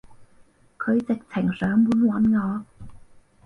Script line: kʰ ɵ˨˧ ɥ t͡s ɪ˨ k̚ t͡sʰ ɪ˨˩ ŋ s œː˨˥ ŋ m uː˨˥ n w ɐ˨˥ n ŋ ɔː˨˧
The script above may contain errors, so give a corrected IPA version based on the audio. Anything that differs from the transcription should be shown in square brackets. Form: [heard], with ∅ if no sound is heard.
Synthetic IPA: kʰ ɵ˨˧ ɥ t͡s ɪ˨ k̚ t͡sʰ ɪ˨˩ ŋ s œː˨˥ ŋ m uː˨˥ n w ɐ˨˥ n ŋ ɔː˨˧